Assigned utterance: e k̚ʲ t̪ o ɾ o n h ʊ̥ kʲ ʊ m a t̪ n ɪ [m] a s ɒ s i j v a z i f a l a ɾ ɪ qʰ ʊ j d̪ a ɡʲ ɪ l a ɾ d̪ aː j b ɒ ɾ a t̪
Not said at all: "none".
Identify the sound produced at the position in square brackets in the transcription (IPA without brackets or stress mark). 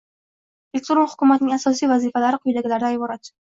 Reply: ŋ